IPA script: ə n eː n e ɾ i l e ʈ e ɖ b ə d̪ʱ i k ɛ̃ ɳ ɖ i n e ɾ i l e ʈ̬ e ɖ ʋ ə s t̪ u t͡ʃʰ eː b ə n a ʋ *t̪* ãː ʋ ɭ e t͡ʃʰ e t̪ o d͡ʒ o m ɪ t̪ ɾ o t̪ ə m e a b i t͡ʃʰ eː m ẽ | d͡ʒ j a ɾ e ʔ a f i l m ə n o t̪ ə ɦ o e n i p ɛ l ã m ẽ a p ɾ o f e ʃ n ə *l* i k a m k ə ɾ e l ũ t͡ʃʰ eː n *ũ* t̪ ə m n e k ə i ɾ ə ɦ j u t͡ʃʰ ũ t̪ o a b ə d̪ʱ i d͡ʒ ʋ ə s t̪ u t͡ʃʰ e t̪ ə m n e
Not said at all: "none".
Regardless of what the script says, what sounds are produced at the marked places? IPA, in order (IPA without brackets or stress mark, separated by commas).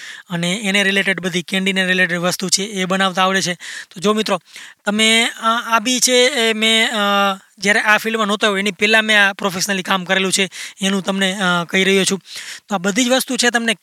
t̪, l, ũ